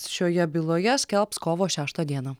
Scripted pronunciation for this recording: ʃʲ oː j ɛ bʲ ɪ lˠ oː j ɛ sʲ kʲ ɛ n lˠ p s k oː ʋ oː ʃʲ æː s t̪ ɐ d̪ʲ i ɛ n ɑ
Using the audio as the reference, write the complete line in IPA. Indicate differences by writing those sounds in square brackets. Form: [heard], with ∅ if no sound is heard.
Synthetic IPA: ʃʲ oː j ɛ bʲ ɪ lˠ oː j ɛ sʲ kʲ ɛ [∅] lˠ p s k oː ʋ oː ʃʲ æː [ʃ] t̪ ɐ d̪ʲ i ɛ n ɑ